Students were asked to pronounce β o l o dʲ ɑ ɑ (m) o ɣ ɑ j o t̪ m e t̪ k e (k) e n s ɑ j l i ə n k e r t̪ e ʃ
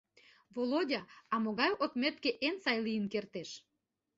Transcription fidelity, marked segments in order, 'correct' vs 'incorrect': correct, incorrect: ʔ

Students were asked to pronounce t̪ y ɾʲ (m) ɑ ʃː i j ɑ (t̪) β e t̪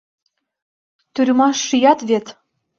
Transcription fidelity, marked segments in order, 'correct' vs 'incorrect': correct, correct

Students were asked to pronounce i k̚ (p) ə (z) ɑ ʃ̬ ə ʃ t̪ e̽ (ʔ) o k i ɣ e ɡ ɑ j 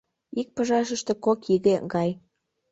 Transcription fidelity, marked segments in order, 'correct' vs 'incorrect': correct, incorrect: ʒ, incorrect: k

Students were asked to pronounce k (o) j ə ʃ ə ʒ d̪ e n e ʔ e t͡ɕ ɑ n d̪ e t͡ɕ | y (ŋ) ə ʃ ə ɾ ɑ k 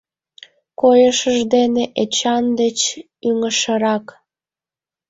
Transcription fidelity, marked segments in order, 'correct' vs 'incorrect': correct, correct

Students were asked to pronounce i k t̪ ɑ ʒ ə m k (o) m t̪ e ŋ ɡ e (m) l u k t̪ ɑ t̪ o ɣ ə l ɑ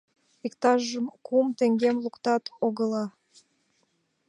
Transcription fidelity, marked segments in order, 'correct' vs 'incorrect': incorrect: u, correct

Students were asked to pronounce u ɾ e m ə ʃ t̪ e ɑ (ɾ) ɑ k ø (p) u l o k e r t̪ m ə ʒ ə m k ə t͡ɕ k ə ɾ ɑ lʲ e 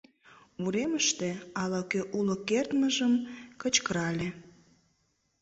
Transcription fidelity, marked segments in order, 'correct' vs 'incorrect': incorrect: l, incorrect: ʔ

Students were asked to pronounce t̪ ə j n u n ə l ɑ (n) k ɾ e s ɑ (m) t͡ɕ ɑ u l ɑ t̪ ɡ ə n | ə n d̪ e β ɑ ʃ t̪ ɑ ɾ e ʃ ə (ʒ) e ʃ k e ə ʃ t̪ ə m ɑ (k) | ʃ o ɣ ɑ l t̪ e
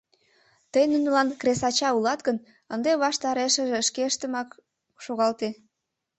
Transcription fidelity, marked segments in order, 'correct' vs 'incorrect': correct, incorrect: none, correct, correct

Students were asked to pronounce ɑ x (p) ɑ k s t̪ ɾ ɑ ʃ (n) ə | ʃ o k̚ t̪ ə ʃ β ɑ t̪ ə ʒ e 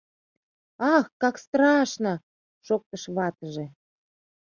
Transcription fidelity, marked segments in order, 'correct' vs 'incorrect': incorrect: k, correct

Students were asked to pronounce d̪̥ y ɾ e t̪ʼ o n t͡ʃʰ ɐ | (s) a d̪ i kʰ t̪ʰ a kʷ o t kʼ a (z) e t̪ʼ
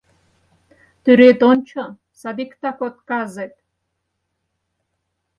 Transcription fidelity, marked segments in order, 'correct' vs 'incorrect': correct, correct

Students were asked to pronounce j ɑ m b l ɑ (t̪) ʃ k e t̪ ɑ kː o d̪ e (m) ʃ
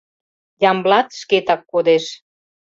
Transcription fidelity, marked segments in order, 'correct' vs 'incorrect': correct, incorrect: none

